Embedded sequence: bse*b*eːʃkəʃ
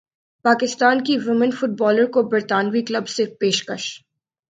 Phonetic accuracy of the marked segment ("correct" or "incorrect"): incorrect